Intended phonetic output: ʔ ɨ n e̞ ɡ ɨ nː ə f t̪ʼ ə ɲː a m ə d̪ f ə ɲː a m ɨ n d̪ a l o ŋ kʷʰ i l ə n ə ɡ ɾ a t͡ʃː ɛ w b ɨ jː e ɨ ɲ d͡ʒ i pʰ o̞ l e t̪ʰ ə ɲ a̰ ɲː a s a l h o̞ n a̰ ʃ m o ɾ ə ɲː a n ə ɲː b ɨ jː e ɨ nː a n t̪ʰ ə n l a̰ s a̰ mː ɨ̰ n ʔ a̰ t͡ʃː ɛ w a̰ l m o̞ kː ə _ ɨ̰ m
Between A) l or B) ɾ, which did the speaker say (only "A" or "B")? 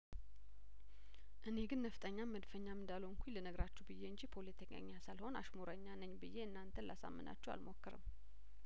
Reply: B